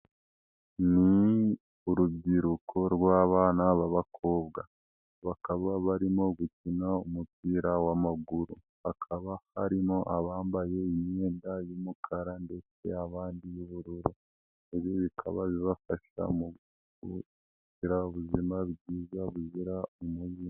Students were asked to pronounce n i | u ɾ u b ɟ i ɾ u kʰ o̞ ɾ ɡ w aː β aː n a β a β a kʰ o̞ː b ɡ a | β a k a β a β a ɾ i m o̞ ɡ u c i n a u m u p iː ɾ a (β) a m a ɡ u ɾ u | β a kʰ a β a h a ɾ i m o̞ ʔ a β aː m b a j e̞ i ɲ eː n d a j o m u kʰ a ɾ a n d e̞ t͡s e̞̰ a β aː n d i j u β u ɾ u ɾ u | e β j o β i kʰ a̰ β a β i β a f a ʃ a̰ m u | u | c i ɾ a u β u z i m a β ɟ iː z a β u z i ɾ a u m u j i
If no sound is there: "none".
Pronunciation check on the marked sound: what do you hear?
w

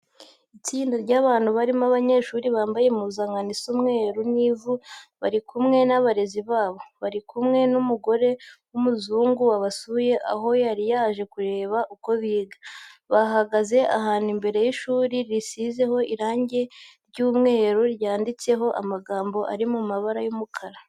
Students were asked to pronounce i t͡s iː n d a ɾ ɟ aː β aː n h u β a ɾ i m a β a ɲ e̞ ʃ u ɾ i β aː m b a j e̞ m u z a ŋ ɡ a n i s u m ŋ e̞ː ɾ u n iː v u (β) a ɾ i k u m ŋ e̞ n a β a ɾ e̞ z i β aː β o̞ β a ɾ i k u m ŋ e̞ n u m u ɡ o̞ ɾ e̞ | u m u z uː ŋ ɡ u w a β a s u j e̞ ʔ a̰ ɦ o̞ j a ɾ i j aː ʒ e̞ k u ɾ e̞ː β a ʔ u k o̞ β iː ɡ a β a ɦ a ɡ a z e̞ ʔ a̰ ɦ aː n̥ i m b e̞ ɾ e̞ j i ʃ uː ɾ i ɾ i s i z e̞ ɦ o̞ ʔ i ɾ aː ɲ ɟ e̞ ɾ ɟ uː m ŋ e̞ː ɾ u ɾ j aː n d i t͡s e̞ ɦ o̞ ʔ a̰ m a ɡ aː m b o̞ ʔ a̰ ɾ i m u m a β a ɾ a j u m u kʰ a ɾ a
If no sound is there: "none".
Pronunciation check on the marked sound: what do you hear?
β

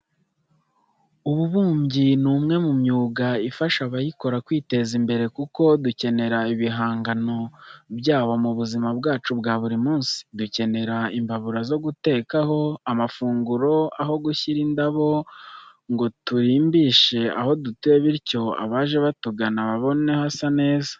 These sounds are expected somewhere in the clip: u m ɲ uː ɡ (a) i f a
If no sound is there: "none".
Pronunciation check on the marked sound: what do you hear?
a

